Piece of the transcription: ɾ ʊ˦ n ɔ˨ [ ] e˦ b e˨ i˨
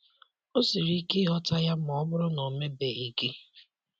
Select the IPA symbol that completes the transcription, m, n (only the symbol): m